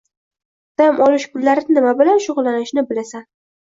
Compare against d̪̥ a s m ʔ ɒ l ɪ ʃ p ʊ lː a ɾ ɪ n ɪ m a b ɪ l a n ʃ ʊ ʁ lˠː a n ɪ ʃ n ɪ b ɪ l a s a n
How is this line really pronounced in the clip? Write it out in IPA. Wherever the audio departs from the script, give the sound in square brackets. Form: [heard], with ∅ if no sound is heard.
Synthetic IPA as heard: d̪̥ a [∅] m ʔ ɒ l ɪ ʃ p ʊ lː a ɾ ɪ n ɪ m a b ɪ l a n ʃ ʊ ʁ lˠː a n ɪ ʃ n ɪ b ɪ l a s a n